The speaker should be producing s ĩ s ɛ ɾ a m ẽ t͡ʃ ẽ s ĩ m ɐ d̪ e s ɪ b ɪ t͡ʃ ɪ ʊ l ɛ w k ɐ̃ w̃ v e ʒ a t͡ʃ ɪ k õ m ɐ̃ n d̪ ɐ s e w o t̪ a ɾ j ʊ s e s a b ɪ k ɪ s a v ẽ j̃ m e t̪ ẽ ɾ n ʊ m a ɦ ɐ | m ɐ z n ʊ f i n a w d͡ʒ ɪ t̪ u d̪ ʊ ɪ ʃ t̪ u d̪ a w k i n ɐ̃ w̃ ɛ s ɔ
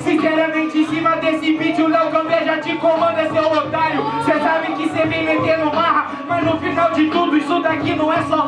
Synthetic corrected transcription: s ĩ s ɛ ɾ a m ẽ t͡ʃ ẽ s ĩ m ɐ d̪ e s ɪ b i t͡ʃ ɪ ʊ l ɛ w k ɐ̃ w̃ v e ʒ a t͡ʃ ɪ k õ m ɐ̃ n d̪ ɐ s e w o t̪ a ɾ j ʊ s e s a b ɪ k ɪ s e v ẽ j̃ m e t̪ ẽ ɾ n ʊ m a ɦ ɐ | m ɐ z n ʊ f i n a w d͡ʒ ɪ t̪ u d̪ ʊ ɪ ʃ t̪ u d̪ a k i n ɐ̃ w̃ ɛ s ɔ

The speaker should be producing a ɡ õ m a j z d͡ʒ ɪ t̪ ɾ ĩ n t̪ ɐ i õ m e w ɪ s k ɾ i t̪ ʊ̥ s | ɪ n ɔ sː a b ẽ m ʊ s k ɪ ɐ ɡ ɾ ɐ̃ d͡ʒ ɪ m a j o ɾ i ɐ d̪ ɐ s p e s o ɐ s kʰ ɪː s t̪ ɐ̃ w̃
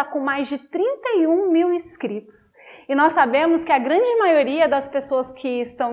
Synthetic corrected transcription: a k õ m a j z d͡ʒ ɪ t̪ ɾ ĩ n t̪ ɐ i ũ m i w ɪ s k ɾ i t̪ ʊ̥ s | ɪ n ɔ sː a b ẽ m ʊ s k ɪ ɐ ɡ ɾ ɐ̃ d͡ʒ ɪ m a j o ɾ i ɐ d̪ ɐ s p e s o ɐ s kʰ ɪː s t̪ ɐ̃ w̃

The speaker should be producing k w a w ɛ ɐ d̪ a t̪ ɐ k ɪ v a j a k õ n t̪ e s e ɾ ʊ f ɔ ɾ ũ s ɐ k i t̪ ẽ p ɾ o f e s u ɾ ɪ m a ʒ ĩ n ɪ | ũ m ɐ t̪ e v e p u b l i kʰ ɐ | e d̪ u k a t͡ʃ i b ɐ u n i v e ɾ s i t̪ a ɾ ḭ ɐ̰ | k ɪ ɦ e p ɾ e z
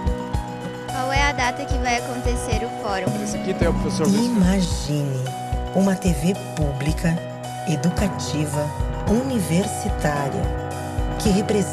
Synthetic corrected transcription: k w a w ɛ ɐ d̪ a t̪ ɐ k ɪ v a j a k õ n t̪ e s e ɾ ʊ f ɔ ɾ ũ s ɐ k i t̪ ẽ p ɾ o f e s o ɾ i m a ʒ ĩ n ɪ | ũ m ɐ t̪ e v e p u b l i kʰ ɐ | e d̪ u k a t͡ʃ i v ɐ u n i v e ɾ s i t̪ a ɾ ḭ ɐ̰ | k ɪ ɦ e p ɾ e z

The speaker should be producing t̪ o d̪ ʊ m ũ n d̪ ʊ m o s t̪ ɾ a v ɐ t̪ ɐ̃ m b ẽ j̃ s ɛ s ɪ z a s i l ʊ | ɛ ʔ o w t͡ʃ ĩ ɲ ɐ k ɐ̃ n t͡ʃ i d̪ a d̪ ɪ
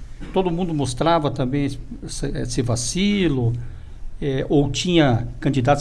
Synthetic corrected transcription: t̪ o d̪ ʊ m ũ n d̪ ʊ m o s t̪ ɾ a v ɐ t̪ ɐ̃ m b ẽ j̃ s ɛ s ɪ v a s i l ʊ | ɛ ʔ o w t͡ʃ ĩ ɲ ɐ k ɐ̃ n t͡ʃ i d̪ a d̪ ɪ

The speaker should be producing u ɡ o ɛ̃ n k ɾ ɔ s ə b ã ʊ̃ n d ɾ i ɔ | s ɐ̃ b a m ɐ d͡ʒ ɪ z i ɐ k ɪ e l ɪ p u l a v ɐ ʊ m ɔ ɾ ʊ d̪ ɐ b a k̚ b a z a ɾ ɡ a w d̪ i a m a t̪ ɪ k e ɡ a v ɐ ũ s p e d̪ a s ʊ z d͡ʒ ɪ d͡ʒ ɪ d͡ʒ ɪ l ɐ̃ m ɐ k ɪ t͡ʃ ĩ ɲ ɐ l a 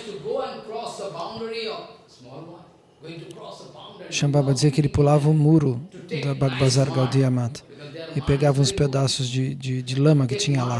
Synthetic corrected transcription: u ɡ o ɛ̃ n k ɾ ɔ s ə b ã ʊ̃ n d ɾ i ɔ | ʃ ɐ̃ b a b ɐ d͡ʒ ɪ z i ɐ k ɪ e l ɪ p u l a v ɐ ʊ m u ɾ ʊ d̪ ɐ b a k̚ b a z a ɾ ɡ a w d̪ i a m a t̪ ɪ p e ɡ a v ɐ ũ s p e d̪ a s ʊ z d͡ʒ ɪ d͡ʒ ɪ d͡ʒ ɪ l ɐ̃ m ɐ k ɪ t͡ʃ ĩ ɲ ɐ l a

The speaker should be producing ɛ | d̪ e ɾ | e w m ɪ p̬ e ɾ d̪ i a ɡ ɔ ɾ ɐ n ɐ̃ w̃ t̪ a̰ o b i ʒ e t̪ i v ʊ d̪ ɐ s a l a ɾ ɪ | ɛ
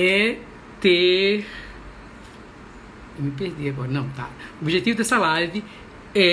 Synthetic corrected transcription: ɛ | t̪ e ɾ | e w m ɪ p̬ e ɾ d̪ i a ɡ ɔ ɾ ɐ n ɐ̃ w̃ t̪ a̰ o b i ʒ e t̪ i v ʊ d̪ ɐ s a l a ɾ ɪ | ɛ

